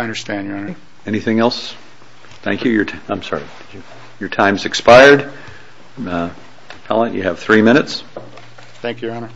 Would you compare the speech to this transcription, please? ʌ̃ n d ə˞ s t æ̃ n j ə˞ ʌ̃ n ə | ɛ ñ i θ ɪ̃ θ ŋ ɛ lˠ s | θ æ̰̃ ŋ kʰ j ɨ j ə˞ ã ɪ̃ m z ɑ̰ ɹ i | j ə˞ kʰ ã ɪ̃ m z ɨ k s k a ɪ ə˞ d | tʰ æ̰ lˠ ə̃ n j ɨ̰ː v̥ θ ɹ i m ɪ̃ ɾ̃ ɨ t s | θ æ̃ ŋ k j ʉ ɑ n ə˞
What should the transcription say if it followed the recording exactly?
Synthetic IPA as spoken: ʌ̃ n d ə˞ s t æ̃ n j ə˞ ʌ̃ n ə | ɛ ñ i θ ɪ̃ ŋ ɛ lˠ s | θ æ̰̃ ŋ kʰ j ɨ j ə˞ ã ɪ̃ m s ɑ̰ ɹ i | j ə˞ tʰ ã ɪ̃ m z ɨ k s p a ɪ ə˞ d | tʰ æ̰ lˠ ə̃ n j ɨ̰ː v̥ θ ɹ i m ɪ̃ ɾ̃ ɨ t s | θ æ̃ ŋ k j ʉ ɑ n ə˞